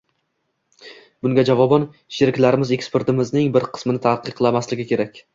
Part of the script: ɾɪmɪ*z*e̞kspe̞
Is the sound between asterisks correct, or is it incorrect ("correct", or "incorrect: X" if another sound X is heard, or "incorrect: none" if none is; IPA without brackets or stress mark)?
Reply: correct